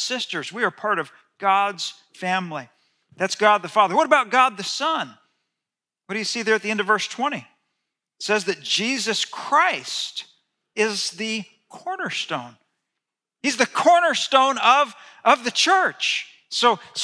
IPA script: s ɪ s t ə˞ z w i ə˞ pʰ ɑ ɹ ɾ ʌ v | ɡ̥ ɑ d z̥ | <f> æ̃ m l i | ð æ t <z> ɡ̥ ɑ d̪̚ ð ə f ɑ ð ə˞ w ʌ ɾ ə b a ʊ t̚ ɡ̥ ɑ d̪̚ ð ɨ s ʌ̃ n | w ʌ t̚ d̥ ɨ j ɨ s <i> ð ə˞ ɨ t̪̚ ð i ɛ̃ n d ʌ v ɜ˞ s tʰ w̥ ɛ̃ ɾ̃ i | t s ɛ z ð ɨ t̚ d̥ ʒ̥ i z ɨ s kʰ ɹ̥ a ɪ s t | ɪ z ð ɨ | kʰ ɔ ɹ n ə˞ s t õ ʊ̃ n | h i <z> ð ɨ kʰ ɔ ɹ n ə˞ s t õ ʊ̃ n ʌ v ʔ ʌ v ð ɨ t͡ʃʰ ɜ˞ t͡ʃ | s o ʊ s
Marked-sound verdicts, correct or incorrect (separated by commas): correct, incorrect, correct, correct